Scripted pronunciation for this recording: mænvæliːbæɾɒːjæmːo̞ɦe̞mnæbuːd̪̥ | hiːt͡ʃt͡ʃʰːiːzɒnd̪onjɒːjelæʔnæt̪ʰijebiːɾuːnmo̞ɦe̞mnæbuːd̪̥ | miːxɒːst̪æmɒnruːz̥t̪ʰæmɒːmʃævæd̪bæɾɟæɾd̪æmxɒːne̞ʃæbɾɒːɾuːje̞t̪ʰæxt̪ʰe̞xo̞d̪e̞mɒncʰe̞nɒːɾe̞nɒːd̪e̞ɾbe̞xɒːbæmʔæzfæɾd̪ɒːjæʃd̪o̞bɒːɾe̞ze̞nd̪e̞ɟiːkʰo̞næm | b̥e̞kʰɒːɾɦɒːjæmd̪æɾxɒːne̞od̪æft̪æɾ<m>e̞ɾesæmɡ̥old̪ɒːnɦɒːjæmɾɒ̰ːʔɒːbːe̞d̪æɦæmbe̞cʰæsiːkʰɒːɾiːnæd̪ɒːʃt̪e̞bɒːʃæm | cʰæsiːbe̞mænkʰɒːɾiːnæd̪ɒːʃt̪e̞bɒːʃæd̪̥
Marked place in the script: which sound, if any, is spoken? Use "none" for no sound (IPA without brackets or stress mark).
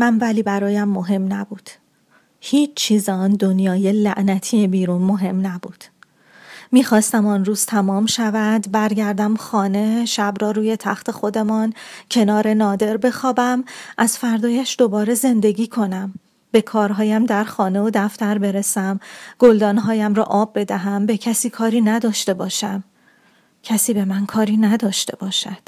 b